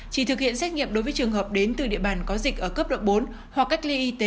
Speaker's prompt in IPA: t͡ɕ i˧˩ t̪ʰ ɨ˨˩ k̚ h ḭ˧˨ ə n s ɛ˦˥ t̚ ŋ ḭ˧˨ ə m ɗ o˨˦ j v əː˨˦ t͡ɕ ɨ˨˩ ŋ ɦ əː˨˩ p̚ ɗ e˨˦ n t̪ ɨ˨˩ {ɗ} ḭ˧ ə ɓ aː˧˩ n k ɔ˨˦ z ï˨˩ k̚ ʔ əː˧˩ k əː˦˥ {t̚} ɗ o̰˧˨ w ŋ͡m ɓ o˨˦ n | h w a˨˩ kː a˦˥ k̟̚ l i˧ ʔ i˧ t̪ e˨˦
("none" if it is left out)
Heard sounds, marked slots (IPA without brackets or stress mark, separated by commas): ɗ, p̚